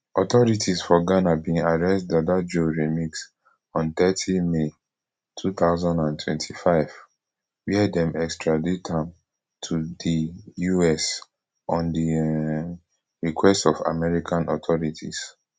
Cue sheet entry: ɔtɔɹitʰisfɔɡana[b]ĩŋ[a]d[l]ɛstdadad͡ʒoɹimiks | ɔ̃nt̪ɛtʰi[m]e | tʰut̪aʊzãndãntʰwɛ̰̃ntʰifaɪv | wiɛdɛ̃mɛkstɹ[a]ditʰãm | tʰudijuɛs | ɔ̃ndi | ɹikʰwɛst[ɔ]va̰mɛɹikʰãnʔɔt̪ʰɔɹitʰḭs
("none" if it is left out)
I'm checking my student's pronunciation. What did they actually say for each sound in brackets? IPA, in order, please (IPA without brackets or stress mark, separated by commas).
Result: b, a, ɹ, m, a, ɔ